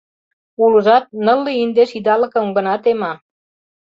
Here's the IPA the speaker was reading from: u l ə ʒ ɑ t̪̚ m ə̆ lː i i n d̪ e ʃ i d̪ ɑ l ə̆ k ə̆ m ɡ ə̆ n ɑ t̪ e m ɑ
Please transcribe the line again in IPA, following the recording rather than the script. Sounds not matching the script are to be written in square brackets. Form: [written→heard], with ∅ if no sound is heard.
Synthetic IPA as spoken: u l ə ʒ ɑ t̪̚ [m→n] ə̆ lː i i n d̪ e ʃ i d̪ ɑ l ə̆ k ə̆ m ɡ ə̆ n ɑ t̪ e m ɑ